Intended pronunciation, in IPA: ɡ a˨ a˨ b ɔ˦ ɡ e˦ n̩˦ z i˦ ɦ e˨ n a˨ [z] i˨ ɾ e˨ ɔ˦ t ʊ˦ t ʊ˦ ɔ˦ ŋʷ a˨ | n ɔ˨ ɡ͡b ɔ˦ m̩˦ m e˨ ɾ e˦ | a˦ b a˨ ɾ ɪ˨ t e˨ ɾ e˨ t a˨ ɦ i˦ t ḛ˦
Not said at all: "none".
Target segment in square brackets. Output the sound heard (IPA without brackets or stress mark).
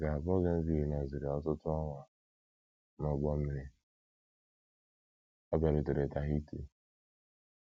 z